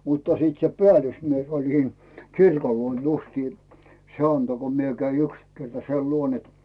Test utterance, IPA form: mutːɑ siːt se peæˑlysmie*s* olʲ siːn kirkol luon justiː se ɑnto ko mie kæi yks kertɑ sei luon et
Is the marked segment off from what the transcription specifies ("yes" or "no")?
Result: no